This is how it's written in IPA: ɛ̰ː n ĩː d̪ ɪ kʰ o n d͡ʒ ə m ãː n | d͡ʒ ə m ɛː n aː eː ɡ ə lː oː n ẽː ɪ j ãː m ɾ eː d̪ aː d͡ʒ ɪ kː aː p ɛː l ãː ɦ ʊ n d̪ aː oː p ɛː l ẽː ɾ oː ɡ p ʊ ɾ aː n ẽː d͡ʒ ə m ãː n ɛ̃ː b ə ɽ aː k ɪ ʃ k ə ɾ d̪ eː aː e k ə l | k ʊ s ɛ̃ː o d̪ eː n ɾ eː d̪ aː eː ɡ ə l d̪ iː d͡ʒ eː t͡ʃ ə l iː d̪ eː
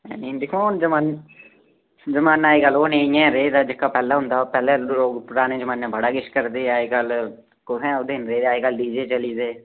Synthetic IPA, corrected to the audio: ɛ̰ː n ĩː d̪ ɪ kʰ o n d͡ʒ ə m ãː n | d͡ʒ ə m aː n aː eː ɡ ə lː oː n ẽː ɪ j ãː ɾ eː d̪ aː d͡ʒ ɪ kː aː p ɛː l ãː ɦ ʊ n d̪ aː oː p ɛː l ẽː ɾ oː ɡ p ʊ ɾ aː n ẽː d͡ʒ ə m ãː n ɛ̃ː b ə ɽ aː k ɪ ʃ k ə ɾ d̪ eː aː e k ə l | k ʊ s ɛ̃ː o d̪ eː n ɾ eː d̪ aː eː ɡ ə l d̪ iː d͡ʒ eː t͡ʃ ə l iː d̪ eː